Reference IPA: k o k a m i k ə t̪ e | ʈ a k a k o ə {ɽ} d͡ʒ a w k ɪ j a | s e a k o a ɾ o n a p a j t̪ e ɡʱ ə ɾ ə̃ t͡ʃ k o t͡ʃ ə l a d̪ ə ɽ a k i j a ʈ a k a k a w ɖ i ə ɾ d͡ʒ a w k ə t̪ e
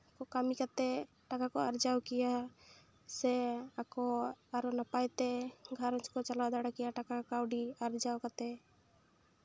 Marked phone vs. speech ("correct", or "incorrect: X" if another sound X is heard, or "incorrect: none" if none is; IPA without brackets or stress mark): incorrect: ɾ